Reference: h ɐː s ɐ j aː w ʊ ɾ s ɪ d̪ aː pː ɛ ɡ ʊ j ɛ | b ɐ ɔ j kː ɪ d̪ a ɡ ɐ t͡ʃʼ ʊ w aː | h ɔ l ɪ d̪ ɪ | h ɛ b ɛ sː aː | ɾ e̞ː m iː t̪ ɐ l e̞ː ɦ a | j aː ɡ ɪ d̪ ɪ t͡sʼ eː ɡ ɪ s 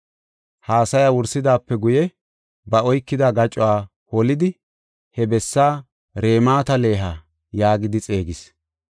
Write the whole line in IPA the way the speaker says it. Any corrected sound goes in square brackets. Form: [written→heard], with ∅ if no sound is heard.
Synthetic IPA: h [ɐː→aː] s ɐ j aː w ʊ ɾ s ɪ d̪ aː pː ɛ ɡ ʊ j ɛ | b ɐ ɔ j kː ɪ d̪ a ɡ ɐ t͡ʃʼ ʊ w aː | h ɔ l ɪ d̪ ɪ | h ɛ b ɛ sː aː | ɾ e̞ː m [iː→aː] t̪ ɐ l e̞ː ɦ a | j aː ɡ ɪ d̪ ɪ t͡sʼ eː ɡ ɪ s